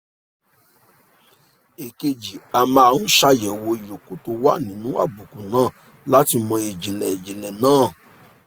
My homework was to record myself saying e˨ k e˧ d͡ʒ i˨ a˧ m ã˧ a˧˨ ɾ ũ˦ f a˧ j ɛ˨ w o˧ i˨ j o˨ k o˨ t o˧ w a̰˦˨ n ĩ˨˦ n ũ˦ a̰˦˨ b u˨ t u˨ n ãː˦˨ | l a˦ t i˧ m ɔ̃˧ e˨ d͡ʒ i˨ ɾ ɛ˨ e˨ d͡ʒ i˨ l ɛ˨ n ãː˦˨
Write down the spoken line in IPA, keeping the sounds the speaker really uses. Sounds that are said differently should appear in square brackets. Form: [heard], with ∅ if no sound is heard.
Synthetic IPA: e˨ k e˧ d͡ʒ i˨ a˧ m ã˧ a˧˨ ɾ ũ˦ [ʃ] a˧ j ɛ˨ w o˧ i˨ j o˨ k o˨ t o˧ w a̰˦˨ n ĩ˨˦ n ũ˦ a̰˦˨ b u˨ [k] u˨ n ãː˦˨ | l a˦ t i˧ m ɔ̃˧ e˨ d͡ʒ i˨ [l] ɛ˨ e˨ d͡ʒ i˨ l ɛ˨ n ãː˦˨

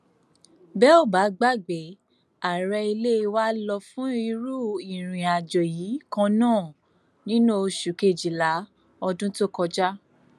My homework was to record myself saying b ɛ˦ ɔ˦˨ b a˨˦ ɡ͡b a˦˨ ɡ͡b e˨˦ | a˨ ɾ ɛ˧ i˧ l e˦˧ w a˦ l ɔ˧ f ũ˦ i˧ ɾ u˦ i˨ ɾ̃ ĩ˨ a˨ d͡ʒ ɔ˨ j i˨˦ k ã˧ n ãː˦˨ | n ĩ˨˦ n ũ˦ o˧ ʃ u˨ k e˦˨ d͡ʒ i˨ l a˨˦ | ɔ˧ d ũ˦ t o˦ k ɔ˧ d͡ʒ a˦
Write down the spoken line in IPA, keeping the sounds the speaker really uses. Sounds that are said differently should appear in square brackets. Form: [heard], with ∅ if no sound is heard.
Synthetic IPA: b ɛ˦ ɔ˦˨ b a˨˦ ɡ͡b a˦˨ ɡ͡b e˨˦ | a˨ ɾ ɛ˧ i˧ l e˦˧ w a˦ l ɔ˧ f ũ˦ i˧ ɾ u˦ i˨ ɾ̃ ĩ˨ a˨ d͡ʒ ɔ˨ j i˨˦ k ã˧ n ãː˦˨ | n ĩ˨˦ n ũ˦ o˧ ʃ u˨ k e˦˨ d͡ʒ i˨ l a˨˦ | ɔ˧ d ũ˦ t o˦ k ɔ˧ d͡ʒ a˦

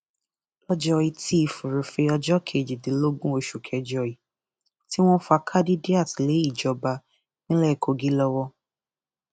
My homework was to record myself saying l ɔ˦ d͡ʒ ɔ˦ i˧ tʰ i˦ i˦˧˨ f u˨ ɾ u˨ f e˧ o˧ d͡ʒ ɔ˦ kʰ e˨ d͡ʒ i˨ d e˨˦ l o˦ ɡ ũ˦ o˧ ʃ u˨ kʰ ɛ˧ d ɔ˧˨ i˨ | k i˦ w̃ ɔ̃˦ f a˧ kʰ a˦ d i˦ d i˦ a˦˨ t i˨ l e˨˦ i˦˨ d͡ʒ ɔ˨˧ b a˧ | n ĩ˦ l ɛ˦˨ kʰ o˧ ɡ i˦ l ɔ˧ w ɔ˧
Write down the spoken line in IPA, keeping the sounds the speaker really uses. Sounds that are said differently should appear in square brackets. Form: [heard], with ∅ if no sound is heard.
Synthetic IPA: l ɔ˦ d͡ʒ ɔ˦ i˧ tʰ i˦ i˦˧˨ f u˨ ɾ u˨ f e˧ [ɔ˧] d͡ʒ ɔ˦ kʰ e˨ d͡ʒ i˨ d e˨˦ l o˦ ɡ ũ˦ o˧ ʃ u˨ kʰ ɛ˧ [d͡ʒ] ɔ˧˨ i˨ | [t] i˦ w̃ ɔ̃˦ f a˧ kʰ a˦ d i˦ d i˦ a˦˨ t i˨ l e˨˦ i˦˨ d͡ʒ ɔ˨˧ b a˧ | n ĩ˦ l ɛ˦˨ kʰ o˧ ɡ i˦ l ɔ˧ w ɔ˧

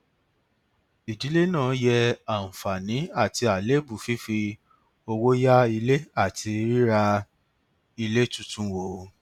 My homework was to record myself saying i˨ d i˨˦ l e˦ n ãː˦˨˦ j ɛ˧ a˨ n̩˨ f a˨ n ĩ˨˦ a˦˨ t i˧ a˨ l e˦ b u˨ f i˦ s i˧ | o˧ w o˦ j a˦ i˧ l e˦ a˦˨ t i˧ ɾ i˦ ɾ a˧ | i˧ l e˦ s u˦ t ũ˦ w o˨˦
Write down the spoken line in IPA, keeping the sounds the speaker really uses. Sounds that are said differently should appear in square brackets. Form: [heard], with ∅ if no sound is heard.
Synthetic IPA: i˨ d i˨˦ l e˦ n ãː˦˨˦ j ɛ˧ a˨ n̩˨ f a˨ n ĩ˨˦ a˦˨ t i˧ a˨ l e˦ b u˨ f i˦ [f] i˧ | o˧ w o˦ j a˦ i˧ l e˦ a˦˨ t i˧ ɾ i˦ ɾ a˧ | i˧ l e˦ [t] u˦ t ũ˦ w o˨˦

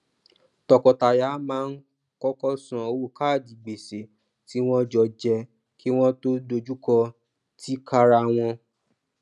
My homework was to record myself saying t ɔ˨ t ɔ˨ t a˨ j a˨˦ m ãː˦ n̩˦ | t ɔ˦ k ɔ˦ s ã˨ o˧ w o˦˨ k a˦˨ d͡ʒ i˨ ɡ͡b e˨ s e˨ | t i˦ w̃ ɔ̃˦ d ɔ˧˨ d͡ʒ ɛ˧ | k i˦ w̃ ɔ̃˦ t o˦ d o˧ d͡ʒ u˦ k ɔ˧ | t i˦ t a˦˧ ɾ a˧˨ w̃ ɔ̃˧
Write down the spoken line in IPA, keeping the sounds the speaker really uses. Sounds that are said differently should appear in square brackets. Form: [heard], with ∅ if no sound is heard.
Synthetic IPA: t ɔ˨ [k] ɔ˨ t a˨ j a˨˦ m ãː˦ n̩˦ | [k] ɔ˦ k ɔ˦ s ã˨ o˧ w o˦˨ k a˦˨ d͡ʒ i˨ ɡ͡b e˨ s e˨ | t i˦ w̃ ɔ̃˦ [d͡ʒ] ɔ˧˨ d͡ʒ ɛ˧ | k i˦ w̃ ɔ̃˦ t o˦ d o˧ d͡ʒ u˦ k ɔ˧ | t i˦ [k] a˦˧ ɾ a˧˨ w̃ ɔ̃˧

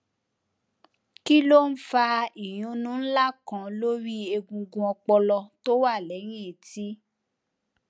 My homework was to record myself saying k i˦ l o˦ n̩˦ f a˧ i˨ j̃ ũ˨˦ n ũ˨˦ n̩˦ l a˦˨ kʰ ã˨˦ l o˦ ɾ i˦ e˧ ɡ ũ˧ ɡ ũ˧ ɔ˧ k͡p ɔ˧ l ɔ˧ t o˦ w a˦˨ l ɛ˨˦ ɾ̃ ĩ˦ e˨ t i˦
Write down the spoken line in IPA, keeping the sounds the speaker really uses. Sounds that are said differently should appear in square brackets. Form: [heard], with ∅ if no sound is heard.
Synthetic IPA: k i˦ l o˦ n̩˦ f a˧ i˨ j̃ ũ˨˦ n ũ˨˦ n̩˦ l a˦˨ [k] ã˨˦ l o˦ ɾ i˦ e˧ ɡ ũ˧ ɡ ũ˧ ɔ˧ k͡p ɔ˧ l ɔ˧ t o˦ w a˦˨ l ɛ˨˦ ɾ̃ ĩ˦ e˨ t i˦

